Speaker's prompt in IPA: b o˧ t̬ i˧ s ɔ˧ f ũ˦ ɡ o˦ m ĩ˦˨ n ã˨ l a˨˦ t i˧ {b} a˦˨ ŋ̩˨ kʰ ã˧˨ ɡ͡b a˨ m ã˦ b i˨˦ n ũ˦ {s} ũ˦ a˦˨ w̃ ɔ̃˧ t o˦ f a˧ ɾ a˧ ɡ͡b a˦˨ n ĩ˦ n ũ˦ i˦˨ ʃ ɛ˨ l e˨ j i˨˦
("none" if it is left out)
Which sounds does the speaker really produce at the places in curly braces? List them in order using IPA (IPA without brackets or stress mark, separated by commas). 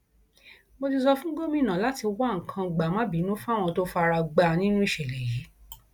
w, f